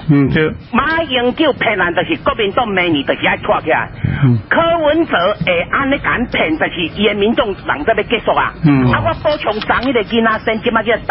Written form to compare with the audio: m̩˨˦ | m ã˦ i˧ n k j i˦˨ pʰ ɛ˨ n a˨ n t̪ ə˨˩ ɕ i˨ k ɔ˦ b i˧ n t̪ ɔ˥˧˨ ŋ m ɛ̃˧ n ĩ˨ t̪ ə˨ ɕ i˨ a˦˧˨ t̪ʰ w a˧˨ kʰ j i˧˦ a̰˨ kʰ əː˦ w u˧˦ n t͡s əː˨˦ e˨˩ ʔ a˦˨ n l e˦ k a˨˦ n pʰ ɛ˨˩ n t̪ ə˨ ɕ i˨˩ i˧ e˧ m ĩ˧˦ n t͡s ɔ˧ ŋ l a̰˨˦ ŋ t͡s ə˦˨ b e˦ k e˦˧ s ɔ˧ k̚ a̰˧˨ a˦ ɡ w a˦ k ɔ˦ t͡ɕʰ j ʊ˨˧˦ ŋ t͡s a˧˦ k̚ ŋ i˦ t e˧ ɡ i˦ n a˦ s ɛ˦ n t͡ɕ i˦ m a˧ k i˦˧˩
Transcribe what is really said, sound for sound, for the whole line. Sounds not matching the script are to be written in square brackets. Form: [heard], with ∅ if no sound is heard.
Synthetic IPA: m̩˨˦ | m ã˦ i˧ [ŋ] k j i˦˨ pʰ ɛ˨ n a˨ n t̪ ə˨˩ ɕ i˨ k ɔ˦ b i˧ n t̪ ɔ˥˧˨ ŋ m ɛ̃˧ n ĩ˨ t̪ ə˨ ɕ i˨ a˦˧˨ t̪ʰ w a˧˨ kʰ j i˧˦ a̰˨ kʰ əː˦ w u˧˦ n t͡s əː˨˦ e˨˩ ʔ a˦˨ n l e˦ k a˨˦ n pʰ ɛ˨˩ n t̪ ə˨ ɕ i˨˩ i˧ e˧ m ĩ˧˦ n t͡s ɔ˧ ŋ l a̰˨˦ ŋ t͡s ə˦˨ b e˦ k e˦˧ s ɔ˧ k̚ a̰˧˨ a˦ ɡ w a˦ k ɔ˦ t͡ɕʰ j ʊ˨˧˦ ŋ t͡s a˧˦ [∅] ŋ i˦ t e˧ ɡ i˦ n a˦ s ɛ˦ n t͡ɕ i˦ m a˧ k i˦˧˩